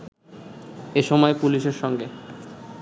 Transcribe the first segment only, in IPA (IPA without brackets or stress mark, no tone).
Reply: e